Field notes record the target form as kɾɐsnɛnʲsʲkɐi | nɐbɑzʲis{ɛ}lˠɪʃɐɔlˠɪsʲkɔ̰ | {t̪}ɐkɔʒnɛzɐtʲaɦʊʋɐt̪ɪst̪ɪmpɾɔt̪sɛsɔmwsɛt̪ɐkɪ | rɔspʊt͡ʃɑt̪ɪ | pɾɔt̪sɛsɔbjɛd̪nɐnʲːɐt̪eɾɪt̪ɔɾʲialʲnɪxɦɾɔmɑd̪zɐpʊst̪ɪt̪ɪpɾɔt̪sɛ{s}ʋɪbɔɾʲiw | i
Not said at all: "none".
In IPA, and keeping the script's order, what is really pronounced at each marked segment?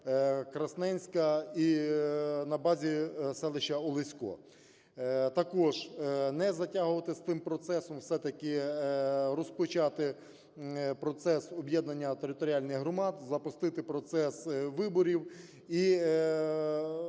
ɛ, t̪, s

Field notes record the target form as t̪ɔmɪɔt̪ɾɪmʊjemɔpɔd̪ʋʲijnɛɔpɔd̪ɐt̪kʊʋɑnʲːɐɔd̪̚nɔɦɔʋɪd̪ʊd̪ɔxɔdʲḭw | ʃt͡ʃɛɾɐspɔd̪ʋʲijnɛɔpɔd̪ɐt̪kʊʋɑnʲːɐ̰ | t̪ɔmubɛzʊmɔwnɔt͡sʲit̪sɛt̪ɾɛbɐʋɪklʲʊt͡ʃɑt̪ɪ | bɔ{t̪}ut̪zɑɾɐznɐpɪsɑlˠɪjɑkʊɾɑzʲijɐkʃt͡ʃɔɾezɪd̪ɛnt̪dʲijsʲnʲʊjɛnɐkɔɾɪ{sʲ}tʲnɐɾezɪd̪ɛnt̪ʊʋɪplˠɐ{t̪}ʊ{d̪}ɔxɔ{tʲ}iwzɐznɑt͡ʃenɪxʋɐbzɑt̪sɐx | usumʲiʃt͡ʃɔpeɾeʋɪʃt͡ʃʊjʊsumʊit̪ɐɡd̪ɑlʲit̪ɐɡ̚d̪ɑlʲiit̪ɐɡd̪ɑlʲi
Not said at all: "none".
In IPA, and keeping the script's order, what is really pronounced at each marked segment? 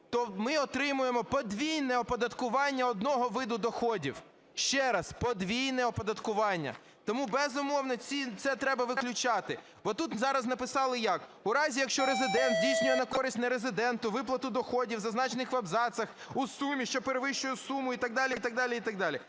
t̪, sʲ, t̪, d̪, dʲ

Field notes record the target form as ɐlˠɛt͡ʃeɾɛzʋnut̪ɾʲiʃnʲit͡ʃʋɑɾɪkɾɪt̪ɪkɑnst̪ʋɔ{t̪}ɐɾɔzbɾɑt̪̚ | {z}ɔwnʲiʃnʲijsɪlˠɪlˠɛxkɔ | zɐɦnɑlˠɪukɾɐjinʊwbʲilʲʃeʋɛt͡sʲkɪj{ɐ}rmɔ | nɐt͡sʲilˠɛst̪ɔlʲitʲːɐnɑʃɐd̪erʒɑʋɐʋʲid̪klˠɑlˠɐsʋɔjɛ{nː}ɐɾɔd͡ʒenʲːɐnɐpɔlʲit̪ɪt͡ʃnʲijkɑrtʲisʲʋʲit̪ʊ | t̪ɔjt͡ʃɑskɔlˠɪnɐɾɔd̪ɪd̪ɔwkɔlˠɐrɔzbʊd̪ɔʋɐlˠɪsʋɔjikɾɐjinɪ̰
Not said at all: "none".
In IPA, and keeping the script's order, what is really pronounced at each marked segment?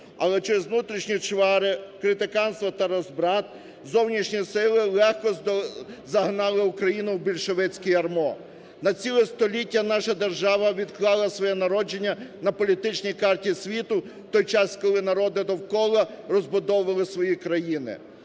t̪, z, ɐ, n

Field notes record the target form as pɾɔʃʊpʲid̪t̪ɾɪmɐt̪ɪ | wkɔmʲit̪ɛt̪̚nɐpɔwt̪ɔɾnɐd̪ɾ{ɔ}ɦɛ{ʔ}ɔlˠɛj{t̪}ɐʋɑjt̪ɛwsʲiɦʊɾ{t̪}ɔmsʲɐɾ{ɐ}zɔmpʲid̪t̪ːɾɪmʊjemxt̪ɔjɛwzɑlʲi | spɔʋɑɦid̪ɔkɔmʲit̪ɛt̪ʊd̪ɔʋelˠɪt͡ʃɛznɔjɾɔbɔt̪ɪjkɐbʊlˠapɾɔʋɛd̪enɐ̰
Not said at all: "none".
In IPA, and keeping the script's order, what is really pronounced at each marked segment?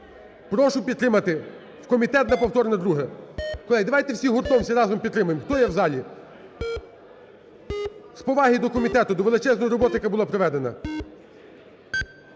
u, k, d̪, t̪, ɑ

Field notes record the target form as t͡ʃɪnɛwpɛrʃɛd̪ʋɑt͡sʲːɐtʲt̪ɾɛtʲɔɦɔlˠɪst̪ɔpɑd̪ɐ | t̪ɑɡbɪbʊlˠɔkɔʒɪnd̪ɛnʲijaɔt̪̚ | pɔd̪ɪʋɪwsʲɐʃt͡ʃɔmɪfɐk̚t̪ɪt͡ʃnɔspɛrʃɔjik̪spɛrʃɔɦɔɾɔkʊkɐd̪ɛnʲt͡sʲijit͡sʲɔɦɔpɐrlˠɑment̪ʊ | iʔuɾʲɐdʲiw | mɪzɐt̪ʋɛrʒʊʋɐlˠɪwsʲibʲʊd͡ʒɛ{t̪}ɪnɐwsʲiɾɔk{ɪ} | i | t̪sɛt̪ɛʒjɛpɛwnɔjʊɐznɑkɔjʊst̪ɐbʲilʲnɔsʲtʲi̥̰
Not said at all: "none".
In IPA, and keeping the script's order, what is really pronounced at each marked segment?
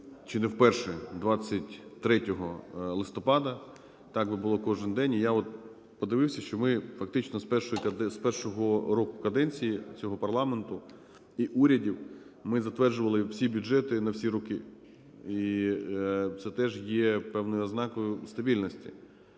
t̪, ɪ

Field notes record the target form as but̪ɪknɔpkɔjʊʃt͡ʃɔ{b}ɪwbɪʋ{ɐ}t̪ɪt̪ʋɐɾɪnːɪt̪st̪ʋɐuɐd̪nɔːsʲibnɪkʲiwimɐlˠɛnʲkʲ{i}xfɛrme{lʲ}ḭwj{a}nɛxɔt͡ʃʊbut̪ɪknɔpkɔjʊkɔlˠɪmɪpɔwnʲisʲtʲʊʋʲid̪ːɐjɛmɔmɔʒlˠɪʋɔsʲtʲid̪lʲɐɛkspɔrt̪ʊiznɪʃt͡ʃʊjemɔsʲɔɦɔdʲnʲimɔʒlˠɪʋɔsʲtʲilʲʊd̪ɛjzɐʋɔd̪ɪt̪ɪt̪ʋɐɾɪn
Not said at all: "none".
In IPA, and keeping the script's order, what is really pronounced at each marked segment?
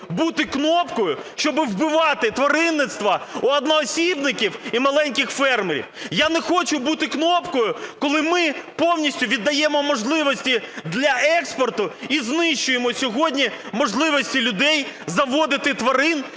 b, ɑ, ɪ, ɾʲ, a

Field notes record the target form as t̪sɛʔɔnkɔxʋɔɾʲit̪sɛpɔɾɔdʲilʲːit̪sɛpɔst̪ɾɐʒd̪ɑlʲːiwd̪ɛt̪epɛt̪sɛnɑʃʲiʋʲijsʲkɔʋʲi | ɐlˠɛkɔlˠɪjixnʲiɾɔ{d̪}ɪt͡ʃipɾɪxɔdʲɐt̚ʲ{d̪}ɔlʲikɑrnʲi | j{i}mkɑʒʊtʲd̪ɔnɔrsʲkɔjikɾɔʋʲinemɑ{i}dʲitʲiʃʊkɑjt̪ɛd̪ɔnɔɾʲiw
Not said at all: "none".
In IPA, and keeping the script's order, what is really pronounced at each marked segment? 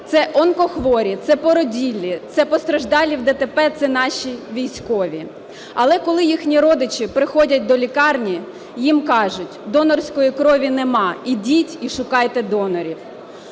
d̪, d̪, i, i

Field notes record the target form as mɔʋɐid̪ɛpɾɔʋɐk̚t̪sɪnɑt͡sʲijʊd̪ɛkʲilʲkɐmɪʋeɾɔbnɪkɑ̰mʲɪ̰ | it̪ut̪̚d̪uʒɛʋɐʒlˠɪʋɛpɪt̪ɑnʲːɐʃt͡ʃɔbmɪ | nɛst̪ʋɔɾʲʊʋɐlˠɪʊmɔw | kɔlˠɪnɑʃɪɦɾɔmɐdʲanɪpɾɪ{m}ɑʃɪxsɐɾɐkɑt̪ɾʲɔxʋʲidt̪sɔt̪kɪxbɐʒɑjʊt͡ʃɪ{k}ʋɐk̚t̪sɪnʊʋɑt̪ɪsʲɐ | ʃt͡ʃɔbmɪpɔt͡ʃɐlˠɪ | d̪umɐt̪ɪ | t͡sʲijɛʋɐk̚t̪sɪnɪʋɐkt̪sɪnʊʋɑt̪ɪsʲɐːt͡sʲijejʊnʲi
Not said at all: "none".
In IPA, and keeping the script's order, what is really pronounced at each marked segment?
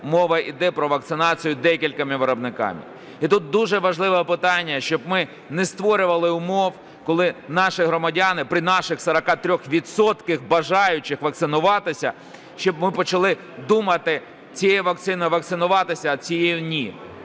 n, x

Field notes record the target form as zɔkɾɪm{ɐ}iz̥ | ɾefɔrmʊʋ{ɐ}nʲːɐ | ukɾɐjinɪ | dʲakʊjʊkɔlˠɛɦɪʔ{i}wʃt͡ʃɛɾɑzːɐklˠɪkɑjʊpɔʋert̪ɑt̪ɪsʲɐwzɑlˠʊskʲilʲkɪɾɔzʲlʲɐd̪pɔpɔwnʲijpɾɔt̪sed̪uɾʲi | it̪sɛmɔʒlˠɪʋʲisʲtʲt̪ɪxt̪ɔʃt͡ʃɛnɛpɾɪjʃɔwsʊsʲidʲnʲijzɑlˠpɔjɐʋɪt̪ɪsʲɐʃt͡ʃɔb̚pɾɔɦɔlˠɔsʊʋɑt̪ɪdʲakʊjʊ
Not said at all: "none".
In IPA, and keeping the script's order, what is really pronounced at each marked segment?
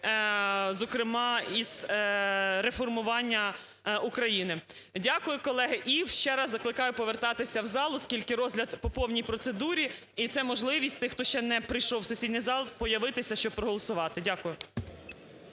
ɑ, ɑ, i

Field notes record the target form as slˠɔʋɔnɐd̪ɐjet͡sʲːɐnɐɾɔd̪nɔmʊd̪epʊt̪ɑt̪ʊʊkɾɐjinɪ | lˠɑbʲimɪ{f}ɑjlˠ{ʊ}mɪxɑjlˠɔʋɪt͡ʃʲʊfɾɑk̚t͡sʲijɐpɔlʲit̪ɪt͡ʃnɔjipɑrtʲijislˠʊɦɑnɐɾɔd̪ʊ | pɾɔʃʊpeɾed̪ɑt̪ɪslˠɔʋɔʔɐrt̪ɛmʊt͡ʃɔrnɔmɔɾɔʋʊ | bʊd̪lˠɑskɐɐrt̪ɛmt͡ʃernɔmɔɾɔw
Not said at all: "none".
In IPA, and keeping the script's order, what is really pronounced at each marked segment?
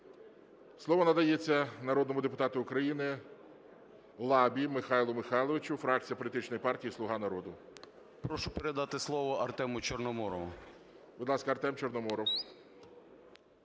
x, ʊ

